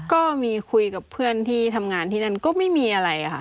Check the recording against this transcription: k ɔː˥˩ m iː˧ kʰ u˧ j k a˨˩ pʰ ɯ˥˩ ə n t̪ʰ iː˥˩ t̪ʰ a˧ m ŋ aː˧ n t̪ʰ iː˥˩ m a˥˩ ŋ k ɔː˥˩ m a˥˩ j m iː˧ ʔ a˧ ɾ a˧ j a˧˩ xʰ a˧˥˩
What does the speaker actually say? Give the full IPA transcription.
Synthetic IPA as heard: k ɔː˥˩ m iː˧ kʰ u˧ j k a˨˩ pʰ ɯ˥˩ ə n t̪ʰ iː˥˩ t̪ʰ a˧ m ŋ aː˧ n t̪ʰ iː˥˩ n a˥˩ n k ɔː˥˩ m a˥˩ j m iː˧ ʔ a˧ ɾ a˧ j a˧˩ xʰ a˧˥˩